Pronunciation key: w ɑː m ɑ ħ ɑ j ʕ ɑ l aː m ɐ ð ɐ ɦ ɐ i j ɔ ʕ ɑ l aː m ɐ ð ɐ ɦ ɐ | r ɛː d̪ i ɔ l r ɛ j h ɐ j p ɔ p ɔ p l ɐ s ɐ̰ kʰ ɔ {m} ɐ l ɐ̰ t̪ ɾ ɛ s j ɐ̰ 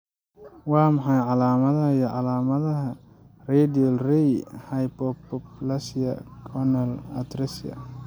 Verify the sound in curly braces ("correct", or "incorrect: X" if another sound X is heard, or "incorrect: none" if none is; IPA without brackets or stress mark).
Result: incorrect: n